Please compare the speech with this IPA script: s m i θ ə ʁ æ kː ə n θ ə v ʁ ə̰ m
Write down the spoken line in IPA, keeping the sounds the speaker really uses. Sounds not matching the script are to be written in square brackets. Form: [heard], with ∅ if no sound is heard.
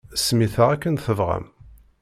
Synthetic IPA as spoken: s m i θ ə ʁ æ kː ə n θ ə v ʁ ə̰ m